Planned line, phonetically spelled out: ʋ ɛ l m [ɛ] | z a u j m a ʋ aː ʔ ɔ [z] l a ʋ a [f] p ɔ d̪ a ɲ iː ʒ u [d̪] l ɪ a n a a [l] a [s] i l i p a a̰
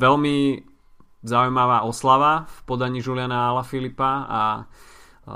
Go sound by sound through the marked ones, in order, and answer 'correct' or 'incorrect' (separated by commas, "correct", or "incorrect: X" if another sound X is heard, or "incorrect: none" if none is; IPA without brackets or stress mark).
incorrect: i, incorrect: s, correct, incorrect: none, correct, incorrect: f